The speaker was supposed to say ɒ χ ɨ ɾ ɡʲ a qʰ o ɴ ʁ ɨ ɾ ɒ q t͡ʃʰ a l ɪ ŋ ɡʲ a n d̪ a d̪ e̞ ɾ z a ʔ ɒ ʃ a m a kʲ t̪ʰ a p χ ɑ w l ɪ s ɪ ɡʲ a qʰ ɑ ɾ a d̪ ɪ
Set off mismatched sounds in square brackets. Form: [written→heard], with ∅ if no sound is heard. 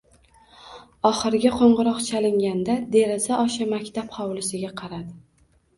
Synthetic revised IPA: ɒ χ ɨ ɾ ɡʲ a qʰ o ɴ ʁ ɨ ɾ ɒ q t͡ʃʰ a l ɪ ŋ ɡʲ a n d̪ a d̪ e̞ ɾ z a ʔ ɒ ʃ a m a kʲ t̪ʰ a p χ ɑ w l ɪ s ɪ ɡʲ a qʰ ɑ ɾ a d̪ ɪ